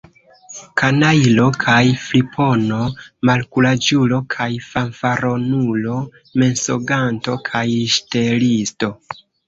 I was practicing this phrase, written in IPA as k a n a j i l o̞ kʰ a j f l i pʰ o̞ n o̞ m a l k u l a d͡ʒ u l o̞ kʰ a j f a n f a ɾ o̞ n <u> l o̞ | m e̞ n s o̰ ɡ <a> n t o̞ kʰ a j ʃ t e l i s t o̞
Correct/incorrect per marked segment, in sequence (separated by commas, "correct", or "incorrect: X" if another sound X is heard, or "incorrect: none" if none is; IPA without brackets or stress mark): correct, correct